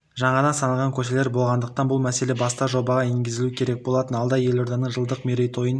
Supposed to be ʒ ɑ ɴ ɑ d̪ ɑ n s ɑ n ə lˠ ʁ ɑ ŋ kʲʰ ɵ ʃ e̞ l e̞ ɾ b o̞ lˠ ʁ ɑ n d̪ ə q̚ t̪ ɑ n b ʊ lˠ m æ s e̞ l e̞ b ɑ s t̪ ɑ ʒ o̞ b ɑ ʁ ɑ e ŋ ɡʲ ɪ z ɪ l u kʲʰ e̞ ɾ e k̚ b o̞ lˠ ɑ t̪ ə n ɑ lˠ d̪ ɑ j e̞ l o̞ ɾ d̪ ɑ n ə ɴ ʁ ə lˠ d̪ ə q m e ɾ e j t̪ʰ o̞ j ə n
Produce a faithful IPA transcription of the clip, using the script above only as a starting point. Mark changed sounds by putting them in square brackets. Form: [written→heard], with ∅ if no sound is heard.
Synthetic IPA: ʒ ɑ ɴ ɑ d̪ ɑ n s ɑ n ə lˠ ʁ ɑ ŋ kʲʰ ɵ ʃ e̞ l e̞ ɾ b o̞ lˠ ʁ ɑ n d̪ ə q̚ t̪ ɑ n b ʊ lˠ m æ s e̞ l e̞ b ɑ s t̪ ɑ ʒ o̞ b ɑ ʁ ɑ e ŋ ɡʲ ɪ z ɪ l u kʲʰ e̞ ɾ e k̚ b o̞ lˠ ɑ t̪ ə n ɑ lˠ d̪ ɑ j e̞ l o̞ ɾ d̪ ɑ n ə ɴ [ʁ→ʒ] ə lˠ d̪ ə q m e ɾ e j t̪ʰ o̞ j ə n